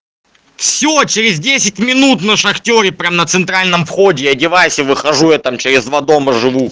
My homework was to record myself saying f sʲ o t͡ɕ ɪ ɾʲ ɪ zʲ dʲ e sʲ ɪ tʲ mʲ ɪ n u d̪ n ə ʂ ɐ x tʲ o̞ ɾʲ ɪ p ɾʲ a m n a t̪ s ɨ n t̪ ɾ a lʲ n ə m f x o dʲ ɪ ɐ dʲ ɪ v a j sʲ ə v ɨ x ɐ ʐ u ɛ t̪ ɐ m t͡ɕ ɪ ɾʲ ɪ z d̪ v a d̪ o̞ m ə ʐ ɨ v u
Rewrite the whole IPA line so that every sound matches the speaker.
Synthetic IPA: f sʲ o t͡ɕ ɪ ɾʲ ɪ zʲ dʲ e sʲ ɪ tʲ mʲ ɪ n u t̪ n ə ʂ ɐ x tʲ o̞ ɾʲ ɪ p ɾʲ a m n ə t̪ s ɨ n t̪ ɾ a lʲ n ə m f x o dʲ ɪ ɐ dʲ ɪ v a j sʲ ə v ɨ x ɐ ʐ u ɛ t̪ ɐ m t͡ɕ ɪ ɾʲ ɪ z d̪ v a d̪ o̞ m ə ʐ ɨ v u